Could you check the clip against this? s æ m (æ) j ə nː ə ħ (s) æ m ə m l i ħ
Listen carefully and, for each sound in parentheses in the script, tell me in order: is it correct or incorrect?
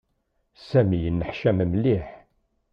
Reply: incorrect: i, incorrect: ʃ

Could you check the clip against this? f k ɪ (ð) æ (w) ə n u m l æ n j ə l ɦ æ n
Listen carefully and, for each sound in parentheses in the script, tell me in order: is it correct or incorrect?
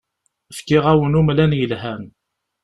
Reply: incorrect: ʁ, correct

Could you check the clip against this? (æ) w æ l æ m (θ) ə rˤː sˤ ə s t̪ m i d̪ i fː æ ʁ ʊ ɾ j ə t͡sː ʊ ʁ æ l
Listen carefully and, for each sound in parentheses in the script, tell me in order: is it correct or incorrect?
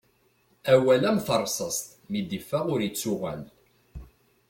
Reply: correct, correct

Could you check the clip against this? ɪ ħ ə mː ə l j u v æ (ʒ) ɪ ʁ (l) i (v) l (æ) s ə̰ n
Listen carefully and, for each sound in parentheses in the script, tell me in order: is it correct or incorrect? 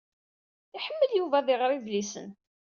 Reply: incorrect: ð, incorrect: ɾ, correct, incorrect: i

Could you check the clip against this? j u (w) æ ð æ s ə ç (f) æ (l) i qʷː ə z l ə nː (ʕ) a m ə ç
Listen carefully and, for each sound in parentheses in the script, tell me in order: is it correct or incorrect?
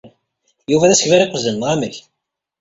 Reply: incorrect: v, incorrect: v, incorrect: ɾ, incorrect: ʁ

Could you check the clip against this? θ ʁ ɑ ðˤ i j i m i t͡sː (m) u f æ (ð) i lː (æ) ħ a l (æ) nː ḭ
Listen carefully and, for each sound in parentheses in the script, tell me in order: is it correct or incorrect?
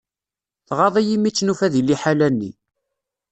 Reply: incorrect: n, correct, incorrect: i, correct

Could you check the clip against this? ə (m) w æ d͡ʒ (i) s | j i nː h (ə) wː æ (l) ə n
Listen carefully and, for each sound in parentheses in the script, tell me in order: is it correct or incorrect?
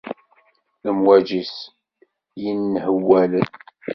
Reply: correct, correct, correct, correct

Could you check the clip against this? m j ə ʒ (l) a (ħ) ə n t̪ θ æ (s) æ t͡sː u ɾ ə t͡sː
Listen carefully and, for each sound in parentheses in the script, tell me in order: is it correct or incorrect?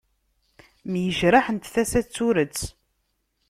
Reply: incorrect: ɾ, correct, correct

